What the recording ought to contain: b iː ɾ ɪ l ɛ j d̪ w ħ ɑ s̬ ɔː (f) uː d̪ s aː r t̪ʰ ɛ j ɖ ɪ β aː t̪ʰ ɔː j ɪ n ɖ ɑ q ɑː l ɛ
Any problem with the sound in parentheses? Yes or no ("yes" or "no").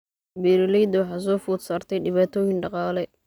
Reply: no